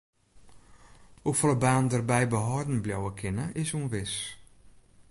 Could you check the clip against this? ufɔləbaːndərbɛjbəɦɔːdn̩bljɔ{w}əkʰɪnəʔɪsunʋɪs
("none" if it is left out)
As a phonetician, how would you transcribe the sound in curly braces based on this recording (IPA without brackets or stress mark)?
w